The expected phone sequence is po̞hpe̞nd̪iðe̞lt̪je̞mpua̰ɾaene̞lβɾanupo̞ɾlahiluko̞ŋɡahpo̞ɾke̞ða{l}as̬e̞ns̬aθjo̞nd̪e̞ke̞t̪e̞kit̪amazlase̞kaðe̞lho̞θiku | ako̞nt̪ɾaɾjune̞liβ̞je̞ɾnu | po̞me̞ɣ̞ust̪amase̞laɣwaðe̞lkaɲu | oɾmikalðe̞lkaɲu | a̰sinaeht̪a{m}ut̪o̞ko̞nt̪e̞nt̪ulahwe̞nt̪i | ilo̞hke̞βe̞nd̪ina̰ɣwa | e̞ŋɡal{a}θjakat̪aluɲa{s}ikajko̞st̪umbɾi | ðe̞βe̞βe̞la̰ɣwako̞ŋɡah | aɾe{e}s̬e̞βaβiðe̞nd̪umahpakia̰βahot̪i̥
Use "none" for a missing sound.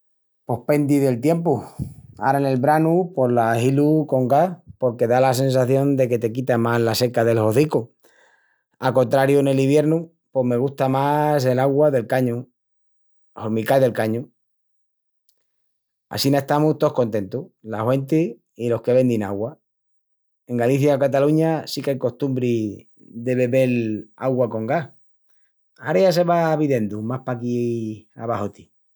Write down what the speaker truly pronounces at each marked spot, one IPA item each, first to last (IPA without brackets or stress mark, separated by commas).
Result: l, m, i, s, a